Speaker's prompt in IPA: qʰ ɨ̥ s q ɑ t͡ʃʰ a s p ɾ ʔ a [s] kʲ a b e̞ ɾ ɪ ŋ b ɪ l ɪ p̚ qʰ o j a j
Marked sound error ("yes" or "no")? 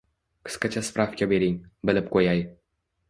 yes